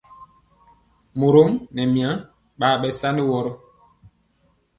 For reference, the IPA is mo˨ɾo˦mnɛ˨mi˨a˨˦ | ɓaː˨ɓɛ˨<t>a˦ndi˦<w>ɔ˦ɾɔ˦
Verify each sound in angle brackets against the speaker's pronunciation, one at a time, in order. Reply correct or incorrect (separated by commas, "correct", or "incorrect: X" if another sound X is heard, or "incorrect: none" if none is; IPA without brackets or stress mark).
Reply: incorrect: s, correct